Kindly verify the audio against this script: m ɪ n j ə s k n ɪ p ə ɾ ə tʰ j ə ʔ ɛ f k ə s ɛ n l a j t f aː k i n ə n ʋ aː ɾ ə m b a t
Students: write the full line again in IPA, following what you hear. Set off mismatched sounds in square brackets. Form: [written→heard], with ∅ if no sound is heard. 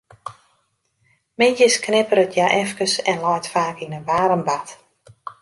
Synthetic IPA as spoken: m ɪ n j ə s k n ɪ p ə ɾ ə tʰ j [ə→a] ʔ ɛ f k ə s ɛ n l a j t f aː k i n ə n ʋ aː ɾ ə m b a t